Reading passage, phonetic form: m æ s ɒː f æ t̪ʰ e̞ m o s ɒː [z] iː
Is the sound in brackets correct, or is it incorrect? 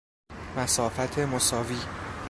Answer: incorrect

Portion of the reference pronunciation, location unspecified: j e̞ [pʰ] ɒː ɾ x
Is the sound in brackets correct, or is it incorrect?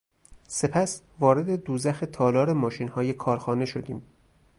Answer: incorrect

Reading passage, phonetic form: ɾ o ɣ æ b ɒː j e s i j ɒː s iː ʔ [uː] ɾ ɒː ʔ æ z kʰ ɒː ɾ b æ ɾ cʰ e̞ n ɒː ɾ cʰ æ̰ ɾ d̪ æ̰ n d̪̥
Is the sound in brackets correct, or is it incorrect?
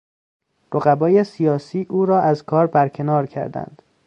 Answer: correct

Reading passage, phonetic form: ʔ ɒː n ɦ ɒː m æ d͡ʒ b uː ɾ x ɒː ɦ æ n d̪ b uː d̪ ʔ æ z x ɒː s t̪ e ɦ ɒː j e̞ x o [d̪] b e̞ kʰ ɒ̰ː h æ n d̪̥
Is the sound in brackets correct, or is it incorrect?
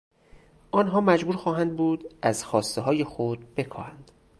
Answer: correct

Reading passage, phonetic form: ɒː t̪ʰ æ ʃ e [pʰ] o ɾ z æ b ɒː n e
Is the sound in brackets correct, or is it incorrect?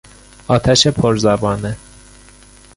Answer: correct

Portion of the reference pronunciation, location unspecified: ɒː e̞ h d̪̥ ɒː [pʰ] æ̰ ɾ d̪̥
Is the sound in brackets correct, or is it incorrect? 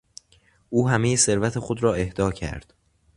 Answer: incorrect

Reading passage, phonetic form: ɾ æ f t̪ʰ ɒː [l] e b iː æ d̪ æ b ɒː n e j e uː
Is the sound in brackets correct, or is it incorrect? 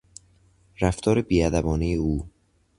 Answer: incorrect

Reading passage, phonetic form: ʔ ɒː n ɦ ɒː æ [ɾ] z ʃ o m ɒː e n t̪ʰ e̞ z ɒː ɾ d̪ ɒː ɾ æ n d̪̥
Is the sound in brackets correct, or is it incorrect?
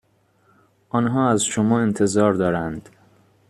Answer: incorrect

